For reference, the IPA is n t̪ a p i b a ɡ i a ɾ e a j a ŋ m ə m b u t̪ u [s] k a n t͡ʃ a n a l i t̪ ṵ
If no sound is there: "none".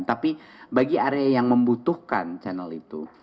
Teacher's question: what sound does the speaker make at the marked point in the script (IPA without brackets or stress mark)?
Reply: h